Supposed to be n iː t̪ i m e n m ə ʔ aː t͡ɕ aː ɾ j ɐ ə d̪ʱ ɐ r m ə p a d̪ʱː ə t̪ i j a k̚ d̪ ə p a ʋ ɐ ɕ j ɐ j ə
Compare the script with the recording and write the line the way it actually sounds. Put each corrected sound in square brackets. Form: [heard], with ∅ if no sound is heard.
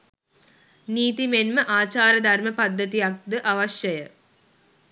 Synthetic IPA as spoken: n iː t̪ i m e n m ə ʔ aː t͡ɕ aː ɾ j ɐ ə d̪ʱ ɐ r m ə p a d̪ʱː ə t̪ i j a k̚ d̪ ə [ʔ] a ʋ ɐ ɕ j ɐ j ə